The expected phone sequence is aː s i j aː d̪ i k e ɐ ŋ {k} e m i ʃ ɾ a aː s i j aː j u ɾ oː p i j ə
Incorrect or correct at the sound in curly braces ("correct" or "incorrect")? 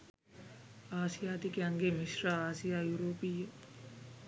incorrect